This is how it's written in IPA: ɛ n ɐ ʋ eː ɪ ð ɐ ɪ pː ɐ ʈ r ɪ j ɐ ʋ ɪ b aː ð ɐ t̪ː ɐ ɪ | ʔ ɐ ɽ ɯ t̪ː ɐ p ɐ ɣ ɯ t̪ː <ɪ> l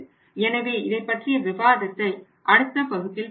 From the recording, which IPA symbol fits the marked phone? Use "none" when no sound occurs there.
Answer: ɪ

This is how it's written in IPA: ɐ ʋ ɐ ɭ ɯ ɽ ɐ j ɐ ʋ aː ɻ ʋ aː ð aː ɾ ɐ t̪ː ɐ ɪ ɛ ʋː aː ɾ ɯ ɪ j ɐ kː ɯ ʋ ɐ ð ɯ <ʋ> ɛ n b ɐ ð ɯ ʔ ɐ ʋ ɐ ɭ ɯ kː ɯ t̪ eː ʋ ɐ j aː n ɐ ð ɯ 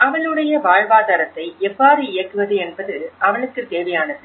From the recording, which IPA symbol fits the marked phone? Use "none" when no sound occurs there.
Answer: none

